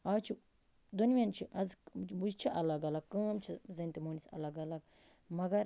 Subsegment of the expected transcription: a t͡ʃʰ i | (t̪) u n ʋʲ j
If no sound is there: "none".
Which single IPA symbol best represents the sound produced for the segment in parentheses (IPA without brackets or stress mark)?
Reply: d̪